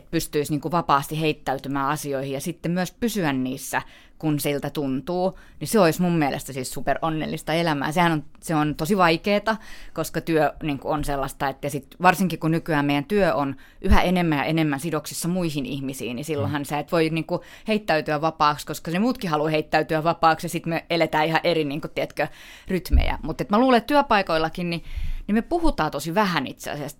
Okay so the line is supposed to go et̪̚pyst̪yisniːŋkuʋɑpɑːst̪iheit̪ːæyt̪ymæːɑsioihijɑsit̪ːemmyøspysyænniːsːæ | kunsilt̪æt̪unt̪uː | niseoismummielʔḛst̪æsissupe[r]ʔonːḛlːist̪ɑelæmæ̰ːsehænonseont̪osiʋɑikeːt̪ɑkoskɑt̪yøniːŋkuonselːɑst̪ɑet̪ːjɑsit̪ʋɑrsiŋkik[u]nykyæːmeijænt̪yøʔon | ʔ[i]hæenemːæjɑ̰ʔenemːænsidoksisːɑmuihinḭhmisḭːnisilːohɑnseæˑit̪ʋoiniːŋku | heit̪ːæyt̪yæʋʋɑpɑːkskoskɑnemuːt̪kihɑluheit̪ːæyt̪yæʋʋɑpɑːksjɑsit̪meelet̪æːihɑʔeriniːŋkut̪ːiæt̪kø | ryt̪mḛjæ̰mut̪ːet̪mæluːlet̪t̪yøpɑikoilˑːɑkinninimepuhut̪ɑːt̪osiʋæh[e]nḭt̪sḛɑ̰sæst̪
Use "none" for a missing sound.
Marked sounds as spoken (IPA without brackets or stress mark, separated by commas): r, u, y, æ